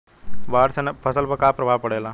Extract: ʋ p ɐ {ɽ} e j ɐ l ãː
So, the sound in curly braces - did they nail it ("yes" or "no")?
yes